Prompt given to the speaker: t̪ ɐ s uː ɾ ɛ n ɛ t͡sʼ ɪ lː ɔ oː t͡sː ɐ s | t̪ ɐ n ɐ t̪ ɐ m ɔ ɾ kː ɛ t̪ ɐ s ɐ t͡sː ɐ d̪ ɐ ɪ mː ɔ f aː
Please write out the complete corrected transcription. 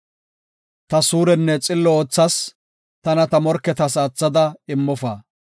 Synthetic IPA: t̪ ɐ s uː ɾ ɛ nː ɛ t͡sʼ ɪ lː ɔ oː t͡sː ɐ s | t̪ ɐ n ɐ t̪ ɐ m ɔ ɾ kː ɛ t̪ ɐ s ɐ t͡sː ɐ d̪ ɐ ɪ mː ɔ f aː